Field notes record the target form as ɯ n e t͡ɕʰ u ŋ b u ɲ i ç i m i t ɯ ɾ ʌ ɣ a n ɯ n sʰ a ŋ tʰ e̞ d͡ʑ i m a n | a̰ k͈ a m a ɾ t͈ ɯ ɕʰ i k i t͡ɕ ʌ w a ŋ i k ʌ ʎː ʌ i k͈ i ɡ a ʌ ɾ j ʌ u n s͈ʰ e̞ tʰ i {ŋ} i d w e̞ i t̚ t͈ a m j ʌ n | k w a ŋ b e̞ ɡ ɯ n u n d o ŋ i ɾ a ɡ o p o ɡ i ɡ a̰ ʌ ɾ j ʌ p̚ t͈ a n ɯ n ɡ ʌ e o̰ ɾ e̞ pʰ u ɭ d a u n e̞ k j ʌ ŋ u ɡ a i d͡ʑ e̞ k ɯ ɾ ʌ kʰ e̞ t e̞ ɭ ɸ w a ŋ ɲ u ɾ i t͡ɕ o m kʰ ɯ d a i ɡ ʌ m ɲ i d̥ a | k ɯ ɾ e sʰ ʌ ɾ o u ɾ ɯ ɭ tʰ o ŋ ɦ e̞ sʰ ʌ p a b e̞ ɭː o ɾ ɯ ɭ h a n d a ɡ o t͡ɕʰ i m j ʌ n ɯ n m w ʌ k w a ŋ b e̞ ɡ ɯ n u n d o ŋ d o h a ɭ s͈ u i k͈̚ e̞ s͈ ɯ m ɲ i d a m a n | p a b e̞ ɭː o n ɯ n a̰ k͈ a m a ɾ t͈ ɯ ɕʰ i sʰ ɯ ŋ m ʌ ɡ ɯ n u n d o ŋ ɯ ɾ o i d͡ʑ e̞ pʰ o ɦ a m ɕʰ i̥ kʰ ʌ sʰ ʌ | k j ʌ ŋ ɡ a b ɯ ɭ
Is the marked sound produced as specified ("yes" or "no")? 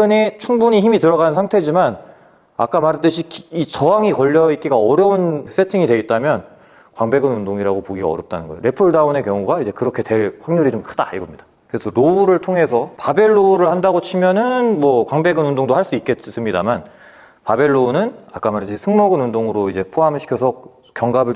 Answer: yes